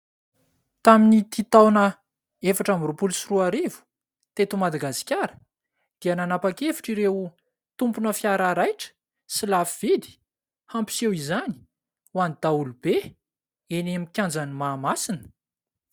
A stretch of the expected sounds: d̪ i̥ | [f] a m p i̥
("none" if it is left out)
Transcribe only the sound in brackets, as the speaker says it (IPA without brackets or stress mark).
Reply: h